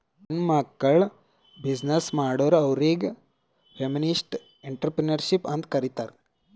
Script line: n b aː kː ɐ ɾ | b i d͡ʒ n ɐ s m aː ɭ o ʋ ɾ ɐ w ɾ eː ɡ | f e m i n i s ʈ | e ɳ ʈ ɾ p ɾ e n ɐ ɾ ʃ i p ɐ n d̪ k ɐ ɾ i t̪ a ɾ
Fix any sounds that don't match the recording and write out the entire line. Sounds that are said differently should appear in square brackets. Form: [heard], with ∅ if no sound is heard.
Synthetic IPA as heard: n [m] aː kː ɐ [ɭ] | b i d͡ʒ n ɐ s m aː [ɽ] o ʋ ɾ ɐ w ɾ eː ɡ | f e m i n i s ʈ | e ɳ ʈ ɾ p ɾ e n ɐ ɾ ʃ i p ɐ n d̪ k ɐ ɾ i t̪ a ɾ